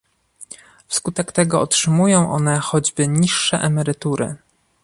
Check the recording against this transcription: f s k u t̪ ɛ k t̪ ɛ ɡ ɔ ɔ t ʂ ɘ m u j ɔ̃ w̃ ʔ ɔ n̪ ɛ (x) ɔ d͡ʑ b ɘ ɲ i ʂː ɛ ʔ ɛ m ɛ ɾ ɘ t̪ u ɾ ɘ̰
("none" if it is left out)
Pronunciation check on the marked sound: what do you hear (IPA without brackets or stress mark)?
x